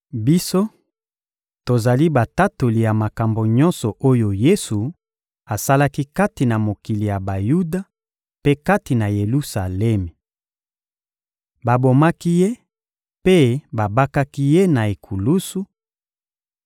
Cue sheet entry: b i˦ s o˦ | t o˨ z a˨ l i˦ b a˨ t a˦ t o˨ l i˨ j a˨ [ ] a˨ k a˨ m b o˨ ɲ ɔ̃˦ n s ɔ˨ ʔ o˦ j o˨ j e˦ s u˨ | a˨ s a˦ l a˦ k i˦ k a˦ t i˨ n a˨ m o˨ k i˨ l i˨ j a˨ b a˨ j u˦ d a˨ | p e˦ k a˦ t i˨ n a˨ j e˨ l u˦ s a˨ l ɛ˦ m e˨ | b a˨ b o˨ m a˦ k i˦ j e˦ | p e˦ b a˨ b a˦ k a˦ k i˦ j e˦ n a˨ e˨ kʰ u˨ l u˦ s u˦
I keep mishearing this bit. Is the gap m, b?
m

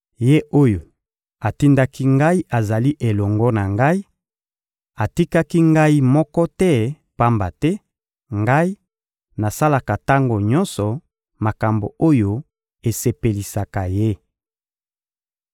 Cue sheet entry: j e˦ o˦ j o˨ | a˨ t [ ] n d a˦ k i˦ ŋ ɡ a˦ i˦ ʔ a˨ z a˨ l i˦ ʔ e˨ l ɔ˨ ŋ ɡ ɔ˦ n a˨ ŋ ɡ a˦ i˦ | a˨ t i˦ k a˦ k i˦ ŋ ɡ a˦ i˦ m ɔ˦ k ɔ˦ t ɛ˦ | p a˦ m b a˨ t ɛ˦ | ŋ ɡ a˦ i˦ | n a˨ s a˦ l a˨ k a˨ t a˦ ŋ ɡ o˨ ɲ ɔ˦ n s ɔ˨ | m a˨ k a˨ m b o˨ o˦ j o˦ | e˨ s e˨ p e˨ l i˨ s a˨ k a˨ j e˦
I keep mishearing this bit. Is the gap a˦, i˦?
i˦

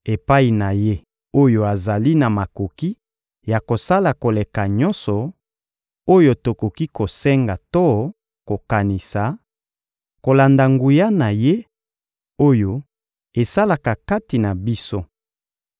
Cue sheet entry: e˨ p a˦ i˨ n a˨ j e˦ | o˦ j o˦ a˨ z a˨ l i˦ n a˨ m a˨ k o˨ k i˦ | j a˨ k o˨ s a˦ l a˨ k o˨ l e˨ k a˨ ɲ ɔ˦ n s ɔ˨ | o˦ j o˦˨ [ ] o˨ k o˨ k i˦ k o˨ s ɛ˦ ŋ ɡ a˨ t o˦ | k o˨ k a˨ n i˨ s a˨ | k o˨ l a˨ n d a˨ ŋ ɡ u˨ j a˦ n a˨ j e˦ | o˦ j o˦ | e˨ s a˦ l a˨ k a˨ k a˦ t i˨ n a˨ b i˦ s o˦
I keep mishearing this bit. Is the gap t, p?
t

